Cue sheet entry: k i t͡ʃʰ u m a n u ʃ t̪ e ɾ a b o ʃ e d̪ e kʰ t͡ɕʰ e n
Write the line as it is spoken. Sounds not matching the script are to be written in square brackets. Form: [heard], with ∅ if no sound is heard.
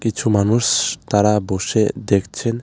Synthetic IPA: k i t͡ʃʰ u m a n u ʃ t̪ [a] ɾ a b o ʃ e d̪ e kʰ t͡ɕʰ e n

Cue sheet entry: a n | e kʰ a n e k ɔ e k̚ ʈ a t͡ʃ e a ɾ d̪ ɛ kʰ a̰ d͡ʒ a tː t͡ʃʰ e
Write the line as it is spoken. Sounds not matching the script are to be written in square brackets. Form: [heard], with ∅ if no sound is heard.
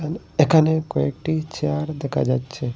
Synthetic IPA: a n | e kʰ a n e k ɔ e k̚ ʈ [i] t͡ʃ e a ɾ d̪ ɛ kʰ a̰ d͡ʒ a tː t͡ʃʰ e

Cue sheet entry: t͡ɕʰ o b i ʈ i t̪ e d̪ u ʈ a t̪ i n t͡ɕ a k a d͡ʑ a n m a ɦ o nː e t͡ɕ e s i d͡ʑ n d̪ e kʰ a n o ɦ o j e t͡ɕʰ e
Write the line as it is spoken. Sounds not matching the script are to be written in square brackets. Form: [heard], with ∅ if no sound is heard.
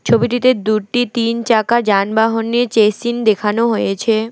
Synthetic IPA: t͡ɕʰ o b i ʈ i t̪ e d̪ u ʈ [i] t̪ i n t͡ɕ a k a d͡ʑ a n [b] a ɦ o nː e t͡ɕ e s i [∅] n d̪ e kʰ a n o ɦ o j e t͡ɕʰ e

